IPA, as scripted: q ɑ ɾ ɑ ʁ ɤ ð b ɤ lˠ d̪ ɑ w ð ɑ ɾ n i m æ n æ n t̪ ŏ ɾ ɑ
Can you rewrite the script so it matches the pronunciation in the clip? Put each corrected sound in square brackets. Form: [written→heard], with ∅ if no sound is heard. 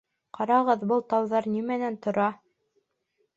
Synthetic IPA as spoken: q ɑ ɾ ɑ ʁ ɤ ð b ɤ lˠ [d̪→t̪] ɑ w ð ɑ ɾ n i m æ n æ n t̪ ŏ ɾ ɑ